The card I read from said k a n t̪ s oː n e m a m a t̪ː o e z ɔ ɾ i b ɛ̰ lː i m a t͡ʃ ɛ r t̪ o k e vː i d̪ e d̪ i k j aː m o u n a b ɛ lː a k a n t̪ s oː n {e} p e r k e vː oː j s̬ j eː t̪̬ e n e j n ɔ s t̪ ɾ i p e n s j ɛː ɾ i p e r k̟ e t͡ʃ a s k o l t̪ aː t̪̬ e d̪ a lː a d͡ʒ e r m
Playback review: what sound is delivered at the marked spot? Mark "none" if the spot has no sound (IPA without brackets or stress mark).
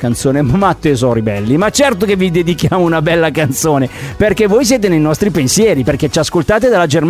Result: e